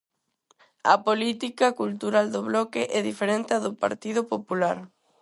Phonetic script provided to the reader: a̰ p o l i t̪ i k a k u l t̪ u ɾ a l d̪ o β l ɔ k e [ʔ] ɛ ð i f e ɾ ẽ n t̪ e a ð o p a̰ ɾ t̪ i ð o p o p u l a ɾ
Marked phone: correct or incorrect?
correct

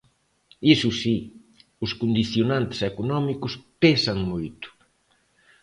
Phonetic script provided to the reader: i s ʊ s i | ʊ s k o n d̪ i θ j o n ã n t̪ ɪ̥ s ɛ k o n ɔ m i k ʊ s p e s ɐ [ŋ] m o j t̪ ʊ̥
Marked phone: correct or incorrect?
correct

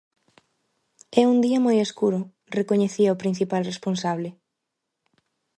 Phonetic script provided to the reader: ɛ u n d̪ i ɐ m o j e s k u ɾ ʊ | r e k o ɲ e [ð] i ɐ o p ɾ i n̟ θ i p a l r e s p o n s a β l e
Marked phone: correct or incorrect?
incorrect: θ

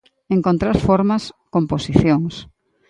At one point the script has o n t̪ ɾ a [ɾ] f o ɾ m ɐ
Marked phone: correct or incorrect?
correct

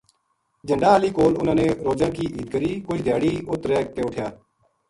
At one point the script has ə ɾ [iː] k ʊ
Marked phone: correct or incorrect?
correct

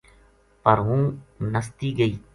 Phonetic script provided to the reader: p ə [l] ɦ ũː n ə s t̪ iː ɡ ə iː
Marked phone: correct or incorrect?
incorrect: ɾ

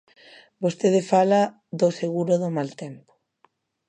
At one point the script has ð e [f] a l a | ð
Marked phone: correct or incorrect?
correct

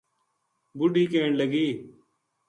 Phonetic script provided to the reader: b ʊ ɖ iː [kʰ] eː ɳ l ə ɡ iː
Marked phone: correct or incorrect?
incorrect: k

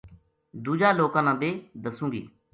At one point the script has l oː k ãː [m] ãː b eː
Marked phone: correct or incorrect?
incorrect: n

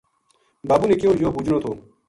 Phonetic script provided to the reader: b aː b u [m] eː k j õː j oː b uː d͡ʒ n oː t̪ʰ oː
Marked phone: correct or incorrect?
incorrect: n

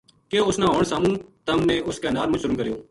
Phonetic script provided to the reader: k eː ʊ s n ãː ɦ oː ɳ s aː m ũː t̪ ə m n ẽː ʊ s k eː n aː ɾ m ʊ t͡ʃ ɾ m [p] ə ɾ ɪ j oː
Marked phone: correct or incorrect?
incorrect: k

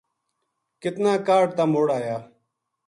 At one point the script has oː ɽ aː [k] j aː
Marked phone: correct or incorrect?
incorrect: none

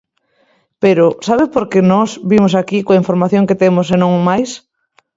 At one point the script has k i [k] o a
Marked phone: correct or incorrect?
correct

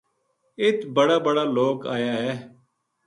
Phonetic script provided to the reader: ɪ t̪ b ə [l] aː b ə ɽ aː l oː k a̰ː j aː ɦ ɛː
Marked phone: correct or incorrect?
incorrect: ɽ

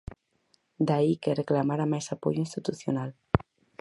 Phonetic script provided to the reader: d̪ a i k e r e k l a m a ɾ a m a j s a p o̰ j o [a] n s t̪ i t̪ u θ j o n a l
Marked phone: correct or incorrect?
incorrect: i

